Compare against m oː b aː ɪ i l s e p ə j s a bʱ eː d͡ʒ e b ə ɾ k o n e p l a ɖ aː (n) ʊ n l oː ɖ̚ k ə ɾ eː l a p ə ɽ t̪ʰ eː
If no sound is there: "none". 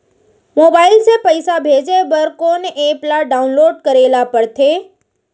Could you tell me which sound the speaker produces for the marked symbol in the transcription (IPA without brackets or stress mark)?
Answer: none